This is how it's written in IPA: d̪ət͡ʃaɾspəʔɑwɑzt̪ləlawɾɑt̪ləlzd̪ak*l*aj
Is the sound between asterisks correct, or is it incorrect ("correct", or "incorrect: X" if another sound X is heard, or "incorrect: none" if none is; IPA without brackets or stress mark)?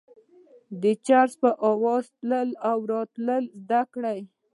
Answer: incorrect: ɽ